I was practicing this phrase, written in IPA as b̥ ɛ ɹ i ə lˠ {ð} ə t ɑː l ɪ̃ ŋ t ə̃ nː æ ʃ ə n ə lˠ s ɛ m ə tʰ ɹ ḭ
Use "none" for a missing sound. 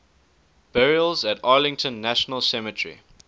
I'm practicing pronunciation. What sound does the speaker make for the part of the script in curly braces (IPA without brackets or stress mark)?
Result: z